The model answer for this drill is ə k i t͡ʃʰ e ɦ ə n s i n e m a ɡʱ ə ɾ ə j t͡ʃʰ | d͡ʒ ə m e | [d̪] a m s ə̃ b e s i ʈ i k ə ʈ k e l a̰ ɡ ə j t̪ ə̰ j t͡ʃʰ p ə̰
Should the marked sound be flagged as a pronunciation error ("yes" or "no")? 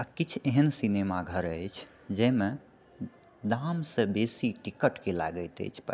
no